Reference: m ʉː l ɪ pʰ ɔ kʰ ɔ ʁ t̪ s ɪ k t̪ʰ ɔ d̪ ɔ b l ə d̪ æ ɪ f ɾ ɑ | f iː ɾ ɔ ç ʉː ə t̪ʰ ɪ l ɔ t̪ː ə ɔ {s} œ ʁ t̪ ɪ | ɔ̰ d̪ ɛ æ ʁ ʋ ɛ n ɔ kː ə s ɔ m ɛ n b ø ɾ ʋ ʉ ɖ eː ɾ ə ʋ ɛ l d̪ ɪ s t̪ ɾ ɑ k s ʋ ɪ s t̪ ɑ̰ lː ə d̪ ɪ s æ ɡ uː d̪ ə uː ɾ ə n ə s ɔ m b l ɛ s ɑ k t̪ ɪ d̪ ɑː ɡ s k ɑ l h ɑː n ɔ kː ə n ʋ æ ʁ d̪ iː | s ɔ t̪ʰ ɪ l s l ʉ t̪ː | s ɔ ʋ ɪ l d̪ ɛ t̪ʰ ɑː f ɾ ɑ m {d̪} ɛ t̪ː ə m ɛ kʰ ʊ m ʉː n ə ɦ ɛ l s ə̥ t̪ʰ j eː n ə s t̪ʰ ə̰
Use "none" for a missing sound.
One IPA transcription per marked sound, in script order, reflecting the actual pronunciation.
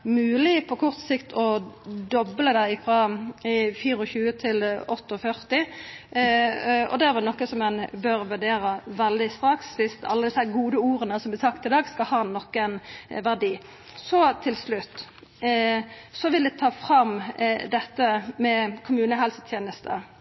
f, d̪

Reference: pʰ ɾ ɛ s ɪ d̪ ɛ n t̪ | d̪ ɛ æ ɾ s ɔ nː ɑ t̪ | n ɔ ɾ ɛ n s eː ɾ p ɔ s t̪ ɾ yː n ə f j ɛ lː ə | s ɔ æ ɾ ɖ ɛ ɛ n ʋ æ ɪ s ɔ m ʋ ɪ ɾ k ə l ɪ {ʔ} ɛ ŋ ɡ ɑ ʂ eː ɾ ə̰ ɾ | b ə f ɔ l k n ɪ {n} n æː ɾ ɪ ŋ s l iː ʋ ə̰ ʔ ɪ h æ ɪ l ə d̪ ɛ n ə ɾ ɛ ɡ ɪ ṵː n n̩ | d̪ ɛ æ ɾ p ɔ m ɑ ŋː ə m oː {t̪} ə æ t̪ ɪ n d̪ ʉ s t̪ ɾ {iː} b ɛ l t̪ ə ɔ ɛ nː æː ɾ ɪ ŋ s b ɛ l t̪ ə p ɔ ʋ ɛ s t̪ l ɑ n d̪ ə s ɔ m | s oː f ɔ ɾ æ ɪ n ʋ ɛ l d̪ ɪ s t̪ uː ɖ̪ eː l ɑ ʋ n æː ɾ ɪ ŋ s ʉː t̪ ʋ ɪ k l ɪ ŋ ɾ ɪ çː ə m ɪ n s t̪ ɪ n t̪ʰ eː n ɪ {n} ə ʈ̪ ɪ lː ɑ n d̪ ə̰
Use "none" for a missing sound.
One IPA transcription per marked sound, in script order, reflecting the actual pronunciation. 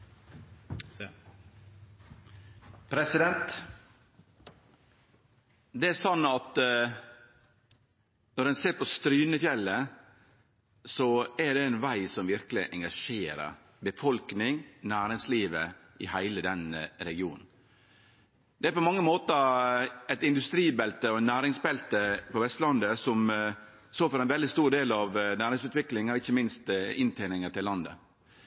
ʔ, ŋ, t̪, iː, ŋ

